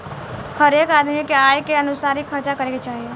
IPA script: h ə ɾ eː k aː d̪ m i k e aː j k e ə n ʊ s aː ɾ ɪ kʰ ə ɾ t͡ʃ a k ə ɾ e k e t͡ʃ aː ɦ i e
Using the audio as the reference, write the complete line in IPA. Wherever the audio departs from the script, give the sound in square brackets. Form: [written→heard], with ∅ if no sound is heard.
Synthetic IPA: h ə ɾ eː k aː d̪ m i k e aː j k e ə n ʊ s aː ɾ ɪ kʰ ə ɾ t͡ʃ a k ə ɾ e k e t͡ʃ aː ɦ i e